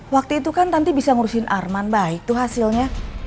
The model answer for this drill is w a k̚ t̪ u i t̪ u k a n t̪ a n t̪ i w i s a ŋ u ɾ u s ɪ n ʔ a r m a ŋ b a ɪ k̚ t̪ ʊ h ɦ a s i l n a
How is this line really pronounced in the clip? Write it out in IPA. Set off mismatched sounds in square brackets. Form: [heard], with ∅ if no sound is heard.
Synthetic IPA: w a k̚ t̪ u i t̪ u k a n t̪ a n t̪ i [b] i s a ŋ u ɾ u s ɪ n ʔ a r m a [n] b a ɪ k̚ t̪ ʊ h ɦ a s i l [ɲ] a